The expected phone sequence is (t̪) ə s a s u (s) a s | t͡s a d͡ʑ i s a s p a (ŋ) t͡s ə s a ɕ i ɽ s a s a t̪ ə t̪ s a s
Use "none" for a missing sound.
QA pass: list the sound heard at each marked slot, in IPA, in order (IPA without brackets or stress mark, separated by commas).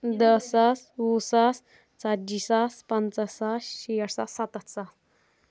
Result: d̪, s, n